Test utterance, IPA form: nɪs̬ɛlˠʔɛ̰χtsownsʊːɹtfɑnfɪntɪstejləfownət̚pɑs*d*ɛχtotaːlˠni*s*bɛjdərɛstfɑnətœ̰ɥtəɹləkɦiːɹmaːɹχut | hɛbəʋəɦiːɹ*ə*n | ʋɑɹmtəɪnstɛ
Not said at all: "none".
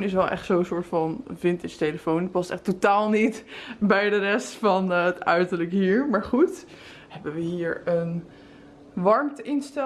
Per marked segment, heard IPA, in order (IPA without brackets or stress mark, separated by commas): t, t, ə